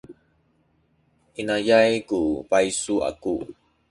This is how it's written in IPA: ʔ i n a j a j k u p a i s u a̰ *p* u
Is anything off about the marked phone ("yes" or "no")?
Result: yes